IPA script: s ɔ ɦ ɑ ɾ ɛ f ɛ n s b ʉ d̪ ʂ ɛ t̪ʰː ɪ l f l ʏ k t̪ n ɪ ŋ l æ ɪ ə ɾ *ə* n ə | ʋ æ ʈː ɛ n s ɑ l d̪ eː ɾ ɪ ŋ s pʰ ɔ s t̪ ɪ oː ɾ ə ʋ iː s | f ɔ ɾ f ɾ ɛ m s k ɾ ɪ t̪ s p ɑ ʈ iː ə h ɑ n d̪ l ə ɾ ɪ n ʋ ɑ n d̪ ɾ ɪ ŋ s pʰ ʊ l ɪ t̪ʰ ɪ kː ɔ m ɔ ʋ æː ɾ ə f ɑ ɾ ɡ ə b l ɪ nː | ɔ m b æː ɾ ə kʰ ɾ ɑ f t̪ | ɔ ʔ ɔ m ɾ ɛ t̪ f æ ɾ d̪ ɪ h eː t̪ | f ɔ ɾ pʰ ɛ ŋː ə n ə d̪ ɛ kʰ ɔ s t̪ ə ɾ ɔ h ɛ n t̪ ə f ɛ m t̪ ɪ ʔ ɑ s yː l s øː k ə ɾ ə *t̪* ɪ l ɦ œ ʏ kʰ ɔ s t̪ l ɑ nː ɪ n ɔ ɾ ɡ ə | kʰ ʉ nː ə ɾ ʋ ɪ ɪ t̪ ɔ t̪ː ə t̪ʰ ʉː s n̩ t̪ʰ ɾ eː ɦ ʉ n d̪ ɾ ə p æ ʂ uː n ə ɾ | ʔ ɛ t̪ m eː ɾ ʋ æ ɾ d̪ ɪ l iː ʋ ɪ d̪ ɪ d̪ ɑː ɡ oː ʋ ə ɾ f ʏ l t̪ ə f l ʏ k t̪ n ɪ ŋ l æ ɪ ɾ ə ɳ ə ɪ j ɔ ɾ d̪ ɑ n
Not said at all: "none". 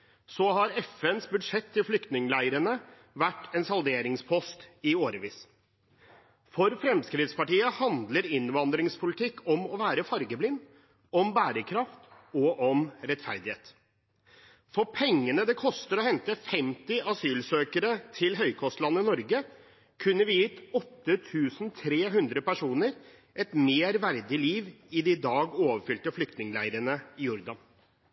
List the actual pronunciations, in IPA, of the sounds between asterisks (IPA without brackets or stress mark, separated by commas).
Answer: ə, t̪ʰ